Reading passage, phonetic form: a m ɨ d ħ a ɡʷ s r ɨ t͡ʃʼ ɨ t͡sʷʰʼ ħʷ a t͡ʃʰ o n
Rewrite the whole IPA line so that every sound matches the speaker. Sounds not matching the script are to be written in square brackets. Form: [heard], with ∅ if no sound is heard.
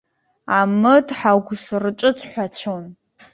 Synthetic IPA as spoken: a m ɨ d ħ a ɡʷ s r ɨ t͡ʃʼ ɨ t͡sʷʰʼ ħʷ a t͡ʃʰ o n